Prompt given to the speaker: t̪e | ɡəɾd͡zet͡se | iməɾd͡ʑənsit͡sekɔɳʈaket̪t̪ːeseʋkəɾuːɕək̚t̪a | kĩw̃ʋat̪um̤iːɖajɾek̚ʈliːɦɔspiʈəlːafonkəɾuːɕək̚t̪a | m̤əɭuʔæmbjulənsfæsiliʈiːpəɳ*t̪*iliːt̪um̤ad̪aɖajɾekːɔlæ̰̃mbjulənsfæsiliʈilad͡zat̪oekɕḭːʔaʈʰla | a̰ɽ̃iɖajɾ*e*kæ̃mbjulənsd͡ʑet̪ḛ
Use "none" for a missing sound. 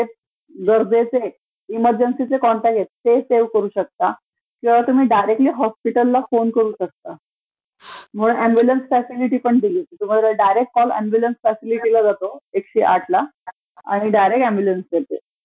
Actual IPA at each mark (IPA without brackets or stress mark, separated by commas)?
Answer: d̪, e